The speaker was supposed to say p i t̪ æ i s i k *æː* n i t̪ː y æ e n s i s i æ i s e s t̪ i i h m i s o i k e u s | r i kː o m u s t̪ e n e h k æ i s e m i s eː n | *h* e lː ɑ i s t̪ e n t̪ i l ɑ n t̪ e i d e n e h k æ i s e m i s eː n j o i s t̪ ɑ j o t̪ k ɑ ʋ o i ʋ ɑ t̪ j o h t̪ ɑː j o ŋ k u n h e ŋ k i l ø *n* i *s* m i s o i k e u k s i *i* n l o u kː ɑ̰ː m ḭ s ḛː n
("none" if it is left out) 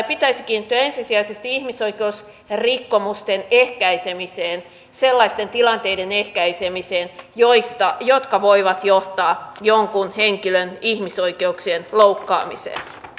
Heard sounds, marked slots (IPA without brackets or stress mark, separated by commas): iː, s, n, h, e